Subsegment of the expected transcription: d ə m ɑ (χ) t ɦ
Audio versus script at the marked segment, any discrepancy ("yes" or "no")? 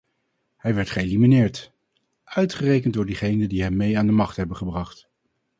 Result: no